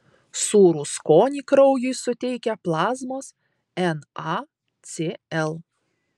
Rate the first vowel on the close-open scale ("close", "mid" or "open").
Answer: close